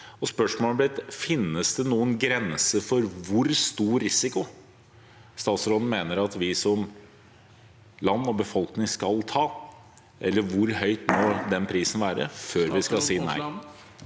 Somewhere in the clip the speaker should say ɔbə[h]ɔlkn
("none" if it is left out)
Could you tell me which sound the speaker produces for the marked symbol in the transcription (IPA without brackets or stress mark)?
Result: f